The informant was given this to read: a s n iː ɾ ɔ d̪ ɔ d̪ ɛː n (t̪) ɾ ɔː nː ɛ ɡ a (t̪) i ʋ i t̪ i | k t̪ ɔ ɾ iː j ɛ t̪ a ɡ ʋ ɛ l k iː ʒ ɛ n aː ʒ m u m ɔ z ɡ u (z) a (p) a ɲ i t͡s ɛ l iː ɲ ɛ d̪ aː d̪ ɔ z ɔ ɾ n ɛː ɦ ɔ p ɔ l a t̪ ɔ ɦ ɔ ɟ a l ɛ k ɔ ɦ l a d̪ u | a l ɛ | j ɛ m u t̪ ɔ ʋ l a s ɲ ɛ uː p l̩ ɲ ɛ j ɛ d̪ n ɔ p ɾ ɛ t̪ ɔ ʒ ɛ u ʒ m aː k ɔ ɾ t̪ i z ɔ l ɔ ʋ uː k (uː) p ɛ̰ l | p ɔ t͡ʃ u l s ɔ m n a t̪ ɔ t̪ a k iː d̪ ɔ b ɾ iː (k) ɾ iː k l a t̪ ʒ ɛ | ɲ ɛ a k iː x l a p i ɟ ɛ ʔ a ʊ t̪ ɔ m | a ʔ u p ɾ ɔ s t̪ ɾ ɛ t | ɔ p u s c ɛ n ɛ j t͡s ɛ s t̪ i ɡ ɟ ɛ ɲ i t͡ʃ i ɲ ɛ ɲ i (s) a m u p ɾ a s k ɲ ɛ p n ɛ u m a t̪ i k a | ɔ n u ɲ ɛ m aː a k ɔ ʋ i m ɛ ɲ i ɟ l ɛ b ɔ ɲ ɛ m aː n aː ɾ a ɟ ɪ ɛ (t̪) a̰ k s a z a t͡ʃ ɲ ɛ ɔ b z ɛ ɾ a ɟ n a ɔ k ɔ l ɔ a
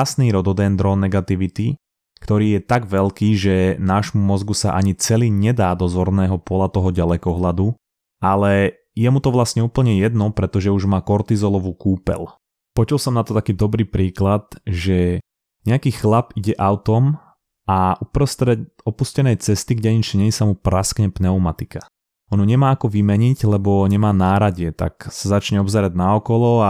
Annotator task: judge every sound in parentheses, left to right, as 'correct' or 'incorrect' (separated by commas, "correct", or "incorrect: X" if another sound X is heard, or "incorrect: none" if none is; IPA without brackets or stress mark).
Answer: incorrect: d̪, correct, incorrect: s, incorrect: ʔ, correct, incorrect: p, correct, correct